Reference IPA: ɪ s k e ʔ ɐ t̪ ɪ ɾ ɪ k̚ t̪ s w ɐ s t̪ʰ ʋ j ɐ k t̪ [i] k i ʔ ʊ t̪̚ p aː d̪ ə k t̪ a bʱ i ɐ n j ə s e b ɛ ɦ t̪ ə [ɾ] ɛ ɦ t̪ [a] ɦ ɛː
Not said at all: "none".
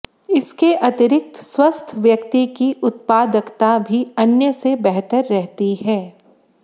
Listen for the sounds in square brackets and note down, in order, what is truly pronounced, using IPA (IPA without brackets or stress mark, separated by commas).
i, ɾː, i